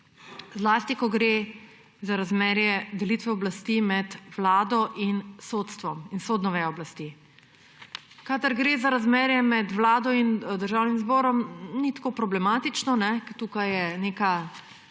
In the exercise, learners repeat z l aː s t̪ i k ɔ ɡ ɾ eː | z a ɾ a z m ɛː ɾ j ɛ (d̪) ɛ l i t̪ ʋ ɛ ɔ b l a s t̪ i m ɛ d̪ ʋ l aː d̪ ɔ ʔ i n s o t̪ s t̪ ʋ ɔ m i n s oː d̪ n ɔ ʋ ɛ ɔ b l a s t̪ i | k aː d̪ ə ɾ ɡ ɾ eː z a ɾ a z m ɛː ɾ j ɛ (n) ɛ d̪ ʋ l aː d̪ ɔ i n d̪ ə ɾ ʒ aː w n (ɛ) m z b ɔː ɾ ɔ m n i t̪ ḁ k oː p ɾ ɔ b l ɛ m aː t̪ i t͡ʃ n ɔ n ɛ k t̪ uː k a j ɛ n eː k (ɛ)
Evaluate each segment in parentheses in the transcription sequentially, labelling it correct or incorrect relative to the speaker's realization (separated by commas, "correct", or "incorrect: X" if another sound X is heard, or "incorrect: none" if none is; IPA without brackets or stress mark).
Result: correct, incorrect: m, incorrect: i, incorrect: a